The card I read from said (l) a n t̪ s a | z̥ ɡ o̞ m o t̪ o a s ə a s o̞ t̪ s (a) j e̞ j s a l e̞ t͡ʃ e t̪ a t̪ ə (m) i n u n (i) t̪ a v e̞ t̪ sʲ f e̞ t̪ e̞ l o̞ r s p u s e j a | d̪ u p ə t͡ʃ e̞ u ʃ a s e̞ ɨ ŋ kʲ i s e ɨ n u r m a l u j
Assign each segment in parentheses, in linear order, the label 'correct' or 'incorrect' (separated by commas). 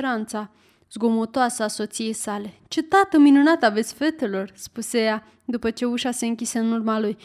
incorrect, incorrect, correct, incorrect